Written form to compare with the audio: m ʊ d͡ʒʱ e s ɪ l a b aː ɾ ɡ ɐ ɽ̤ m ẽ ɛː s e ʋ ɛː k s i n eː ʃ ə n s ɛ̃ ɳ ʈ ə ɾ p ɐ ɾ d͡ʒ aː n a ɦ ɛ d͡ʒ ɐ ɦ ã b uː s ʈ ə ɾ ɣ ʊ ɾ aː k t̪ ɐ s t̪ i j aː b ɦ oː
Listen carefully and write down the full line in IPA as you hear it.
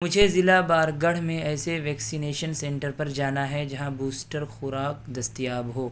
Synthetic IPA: m ʊ d͡ʒʱ e z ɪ l a b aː ɾ ɡ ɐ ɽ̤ m ẽ ɛː s e ʋ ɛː k s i n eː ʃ ə n s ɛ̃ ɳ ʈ ə ɾ p ɐ ɾ d͡ʒ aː n a ɦ ɛ d͡ʒ ɐ ɦ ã b uː s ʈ ə ɾ x ʊ ɾ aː k d̪ ɐ s t̪ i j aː b ɦ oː

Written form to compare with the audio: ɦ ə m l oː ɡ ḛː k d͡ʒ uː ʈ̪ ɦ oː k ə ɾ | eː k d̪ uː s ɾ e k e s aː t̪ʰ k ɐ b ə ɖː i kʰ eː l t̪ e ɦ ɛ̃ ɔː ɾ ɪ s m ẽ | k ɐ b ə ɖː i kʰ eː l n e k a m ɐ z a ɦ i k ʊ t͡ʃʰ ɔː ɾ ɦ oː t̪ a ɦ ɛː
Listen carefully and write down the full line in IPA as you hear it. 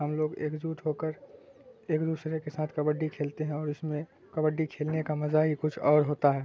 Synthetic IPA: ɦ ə m l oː ɡ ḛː k d͡ʒ uː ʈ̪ ɦ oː k ə ɾ | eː k d̪ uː s ɾ e k e s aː t̪ʰ k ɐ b ə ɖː i kʰ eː l t̪ e ɦ ɛ̃ ɔː ɾ ɪ s m ẽ | k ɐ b ə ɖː i kʰ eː l n e k a m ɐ z a ɦ i k ʊ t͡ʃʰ ɔː ɾ ɦ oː t̪ a ɦ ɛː

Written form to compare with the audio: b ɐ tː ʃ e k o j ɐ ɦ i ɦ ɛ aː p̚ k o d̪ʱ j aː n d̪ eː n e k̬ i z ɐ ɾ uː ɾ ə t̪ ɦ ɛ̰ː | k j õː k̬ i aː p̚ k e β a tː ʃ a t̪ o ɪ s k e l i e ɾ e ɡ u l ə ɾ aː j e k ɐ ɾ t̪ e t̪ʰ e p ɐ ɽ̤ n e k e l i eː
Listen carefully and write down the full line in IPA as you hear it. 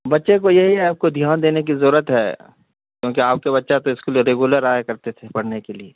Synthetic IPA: b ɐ tː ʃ e k o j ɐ ɦ i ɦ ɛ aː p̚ k o d̪ʱ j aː n d̪ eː n e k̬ i z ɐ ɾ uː ɾ ə t̪ ɦ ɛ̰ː | k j õː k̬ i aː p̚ k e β ɐ tː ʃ a t̪ o ɪ s k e l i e ɾ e ɡ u l ə ɾ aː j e k ɐ ɾ t̪ e t̪ʰ e p ɐ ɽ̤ n e k e l i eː

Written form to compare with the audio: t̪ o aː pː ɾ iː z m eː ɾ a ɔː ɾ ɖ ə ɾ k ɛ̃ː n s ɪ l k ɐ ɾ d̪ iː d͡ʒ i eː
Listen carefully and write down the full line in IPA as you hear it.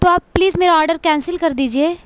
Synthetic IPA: t̪ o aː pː l iː z m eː ɾ a ɔː ɾ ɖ ə ɾ k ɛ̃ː n s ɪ l k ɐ ɾ d̪ iː d͡ʒ i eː

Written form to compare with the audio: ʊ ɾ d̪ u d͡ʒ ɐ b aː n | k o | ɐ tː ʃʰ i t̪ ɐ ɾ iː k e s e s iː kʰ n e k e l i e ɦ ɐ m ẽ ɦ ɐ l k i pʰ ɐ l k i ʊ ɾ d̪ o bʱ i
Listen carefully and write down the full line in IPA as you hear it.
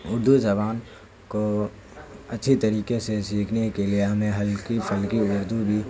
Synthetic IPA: ʊ ɾ d̪ u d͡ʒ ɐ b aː n | k o | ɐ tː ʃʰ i t̪ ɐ ɾ iː k e s e s iː kʰ n e k e l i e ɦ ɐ m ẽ ɦ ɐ l k i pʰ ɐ l k i ʊ ɾ d̪ u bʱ i

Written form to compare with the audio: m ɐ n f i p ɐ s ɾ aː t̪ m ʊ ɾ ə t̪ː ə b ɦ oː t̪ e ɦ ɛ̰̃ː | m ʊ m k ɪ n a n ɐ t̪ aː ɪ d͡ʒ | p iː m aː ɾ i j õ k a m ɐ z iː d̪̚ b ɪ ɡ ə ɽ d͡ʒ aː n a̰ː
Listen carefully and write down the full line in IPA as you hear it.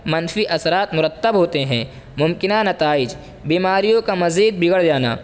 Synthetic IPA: m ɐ n f i ʔ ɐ s ɾ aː t̪ m ʊ ɾ ə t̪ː ə b ɦ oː t̪ e ɦ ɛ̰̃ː | m ʊ m k ɪ n a n ɐ t̪ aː ɪ d͡ʒ | b iː m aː ɾ i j õ k a m ɐ z iː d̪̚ b ɪ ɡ ə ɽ d͡ʒ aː n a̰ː

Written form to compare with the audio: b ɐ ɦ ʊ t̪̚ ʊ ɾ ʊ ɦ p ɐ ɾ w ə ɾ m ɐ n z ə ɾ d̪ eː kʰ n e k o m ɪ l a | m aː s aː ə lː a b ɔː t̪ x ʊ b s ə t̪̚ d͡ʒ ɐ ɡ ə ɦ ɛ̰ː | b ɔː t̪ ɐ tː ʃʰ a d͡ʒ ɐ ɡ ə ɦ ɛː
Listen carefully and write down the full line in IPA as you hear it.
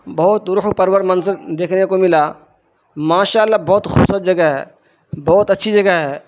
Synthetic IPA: b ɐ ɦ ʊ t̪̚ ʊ ɾ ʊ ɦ p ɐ ɾ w ə ɾ m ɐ n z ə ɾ d̪ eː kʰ n e k o m ɪ l a | m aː ʃ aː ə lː a b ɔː t̪ x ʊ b s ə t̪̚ d͡ʒ ɐ ɡ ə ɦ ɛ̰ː | b ɔː t̪ ɐ tː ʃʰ i d͡ʒ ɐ ɡ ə ɦ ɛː

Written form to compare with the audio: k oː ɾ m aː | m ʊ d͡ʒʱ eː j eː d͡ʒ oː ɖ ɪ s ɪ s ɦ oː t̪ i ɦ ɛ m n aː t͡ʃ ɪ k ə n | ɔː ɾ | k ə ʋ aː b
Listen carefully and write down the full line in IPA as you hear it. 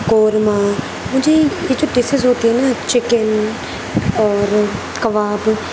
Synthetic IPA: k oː ɾ m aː | m ʊ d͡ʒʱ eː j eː d͡ʒ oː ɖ ɪ s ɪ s ɦ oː t̪ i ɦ ɛ n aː t͡ʃ ɪ k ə n | ɔː ɾ | k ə ʋ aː b

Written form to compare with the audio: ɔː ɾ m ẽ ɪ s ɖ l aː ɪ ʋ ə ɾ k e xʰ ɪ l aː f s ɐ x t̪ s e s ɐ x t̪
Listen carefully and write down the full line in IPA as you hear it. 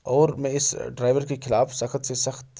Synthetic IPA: ɔː ɾ m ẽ ɪ s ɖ ɾ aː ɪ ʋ ə ɾ k e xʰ ɪ l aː f s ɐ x t̪ s e s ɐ x t̪

